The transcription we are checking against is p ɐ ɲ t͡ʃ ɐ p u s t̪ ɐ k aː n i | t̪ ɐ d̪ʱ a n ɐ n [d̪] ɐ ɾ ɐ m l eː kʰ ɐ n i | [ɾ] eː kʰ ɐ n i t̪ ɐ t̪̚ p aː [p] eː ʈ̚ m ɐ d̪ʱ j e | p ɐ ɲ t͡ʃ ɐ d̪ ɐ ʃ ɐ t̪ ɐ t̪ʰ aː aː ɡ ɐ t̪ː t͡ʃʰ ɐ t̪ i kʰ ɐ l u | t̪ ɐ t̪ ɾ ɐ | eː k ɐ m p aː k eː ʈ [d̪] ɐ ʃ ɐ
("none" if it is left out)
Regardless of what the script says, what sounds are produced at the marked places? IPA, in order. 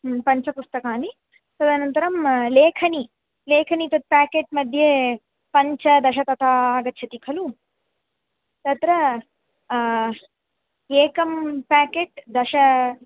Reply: t̪, l, k, d̪

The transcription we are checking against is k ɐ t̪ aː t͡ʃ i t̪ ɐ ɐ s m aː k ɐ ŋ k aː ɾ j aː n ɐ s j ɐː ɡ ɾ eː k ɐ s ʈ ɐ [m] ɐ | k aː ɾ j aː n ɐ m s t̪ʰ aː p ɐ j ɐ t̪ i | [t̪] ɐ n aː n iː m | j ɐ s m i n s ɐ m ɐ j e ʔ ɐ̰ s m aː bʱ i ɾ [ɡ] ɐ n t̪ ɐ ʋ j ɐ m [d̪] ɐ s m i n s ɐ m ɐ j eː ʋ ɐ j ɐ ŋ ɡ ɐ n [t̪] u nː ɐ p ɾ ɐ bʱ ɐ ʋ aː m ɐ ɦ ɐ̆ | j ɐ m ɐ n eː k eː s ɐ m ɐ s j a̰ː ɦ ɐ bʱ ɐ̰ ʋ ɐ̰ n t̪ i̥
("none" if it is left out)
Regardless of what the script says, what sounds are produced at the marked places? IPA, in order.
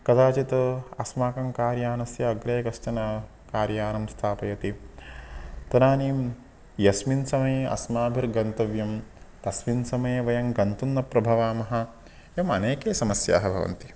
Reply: n, t̪, ɡ, t̪, t̪

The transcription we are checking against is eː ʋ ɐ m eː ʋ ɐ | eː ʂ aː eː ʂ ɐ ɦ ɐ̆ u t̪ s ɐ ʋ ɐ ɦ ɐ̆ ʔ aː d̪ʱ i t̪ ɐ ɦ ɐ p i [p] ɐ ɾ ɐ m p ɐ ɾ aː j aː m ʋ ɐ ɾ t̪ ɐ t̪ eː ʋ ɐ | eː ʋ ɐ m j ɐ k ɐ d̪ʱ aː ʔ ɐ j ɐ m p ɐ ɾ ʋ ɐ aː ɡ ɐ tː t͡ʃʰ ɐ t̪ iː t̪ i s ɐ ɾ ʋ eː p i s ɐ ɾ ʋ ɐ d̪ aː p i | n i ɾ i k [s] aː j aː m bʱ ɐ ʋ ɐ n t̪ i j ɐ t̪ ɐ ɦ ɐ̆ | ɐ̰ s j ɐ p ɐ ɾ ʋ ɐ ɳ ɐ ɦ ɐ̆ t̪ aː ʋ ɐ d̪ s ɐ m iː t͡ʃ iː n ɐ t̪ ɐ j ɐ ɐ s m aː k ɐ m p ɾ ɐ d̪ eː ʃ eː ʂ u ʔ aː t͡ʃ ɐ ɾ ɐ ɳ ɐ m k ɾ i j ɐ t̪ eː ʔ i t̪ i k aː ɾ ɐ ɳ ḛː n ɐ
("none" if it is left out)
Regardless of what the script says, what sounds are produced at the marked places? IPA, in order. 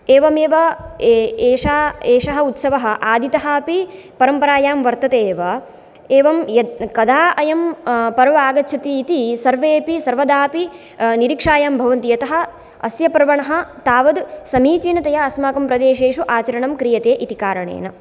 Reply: p, ʂ

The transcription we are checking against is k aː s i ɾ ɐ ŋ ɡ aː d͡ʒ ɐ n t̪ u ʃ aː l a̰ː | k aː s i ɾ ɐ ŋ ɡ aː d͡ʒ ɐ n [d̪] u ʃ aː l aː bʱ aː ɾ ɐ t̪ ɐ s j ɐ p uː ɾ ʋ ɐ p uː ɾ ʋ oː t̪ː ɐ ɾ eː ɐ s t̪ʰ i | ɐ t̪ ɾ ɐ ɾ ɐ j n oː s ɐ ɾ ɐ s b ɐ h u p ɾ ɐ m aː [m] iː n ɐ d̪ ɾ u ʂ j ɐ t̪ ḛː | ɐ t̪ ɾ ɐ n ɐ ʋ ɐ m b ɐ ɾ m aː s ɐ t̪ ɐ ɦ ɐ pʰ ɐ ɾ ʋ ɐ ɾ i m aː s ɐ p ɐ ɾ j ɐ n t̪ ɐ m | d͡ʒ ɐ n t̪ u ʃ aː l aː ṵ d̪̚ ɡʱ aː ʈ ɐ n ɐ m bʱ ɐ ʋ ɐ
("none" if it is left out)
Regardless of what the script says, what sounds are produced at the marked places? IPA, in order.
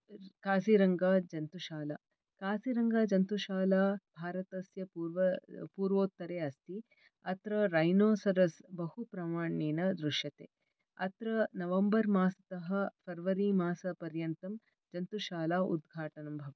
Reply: t̪, ɳ

